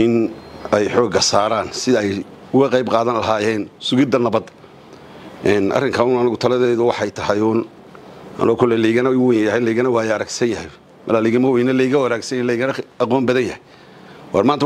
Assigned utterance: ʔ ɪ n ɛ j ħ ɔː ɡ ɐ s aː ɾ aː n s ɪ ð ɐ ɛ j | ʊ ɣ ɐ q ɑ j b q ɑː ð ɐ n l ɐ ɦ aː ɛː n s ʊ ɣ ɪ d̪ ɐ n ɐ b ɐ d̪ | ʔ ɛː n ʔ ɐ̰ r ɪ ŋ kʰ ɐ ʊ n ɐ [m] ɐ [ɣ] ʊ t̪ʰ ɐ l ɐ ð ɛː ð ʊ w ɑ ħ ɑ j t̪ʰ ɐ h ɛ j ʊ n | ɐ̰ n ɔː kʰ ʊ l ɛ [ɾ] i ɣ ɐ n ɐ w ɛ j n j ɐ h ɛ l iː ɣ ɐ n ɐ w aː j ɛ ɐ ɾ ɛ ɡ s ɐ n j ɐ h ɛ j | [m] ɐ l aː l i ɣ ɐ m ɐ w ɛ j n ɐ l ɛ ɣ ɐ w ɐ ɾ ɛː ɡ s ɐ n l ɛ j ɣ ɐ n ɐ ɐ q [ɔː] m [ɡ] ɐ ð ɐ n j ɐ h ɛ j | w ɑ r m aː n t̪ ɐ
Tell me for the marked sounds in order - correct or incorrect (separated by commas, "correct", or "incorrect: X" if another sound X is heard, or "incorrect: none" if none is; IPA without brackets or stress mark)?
incorrect: n, correct, incorrect: l, correct, correct, incorrect: b